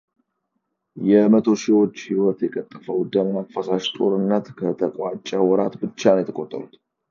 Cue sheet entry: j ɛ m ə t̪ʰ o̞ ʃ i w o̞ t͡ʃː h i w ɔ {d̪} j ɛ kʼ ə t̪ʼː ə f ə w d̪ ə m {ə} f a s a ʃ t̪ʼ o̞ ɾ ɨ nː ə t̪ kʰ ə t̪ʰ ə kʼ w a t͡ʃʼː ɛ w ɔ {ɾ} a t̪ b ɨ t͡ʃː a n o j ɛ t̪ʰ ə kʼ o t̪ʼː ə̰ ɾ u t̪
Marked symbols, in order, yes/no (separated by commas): no, no, yes